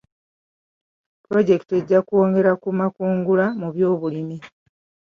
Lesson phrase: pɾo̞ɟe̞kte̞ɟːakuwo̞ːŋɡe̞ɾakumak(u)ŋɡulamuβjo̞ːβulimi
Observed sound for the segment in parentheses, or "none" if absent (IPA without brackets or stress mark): uː